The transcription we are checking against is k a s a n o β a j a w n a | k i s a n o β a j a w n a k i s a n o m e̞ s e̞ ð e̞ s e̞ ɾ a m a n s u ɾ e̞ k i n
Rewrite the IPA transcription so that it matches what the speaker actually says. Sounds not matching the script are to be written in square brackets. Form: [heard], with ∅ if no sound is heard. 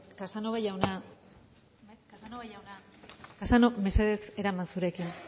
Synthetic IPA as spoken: k a s a n o β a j a w n a | k [a] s a n o β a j a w n a k [a] s a n o m e̞ s e̞ ð e̞ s e̞ ɾ a m a n s u ɾ e̞ k i n